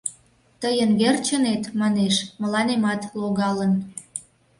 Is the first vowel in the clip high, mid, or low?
mid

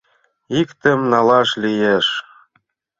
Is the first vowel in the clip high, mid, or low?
high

